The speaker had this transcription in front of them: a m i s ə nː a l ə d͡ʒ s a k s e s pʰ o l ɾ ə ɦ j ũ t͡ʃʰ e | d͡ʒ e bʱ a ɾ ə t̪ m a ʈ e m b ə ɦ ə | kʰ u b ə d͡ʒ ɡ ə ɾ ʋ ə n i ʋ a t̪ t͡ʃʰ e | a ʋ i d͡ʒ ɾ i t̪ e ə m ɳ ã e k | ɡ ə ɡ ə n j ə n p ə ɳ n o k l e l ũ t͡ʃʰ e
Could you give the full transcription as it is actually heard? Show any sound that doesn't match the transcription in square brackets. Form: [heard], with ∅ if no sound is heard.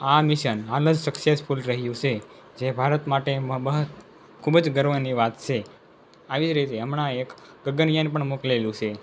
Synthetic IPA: a m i [ʃ] ə [n] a l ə d͡ʒ s [ə] k s e s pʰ [u] l ɾ ə ɦ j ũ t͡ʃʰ e | d͡ʒ e bʱ a ɾ ə t̪ m a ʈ e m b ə ɦ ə | kʰ u b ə d͡ʒ ɡ ə ɾ ʋ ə n i ʋ a t̪ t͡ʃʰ e | a ʋ i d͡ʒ ɾ i t̪ e ə m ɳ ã e k | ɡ ə ɡ ə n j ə n p ə ɳ [m] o k l e l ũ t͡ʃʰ e